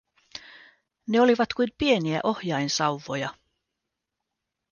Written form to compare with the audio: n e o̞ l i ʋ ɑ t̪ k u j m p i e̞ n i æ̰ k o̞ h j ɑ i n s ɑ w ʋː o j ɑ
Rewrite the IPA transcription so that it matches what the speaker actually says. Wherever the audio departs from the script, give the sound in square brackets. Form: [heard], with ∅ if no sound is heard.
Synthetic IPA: n e o̞ l i ʋ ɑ t̪ k u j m p i e̞ n i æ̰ [ʔ] o̞ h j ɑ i n s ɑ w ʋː o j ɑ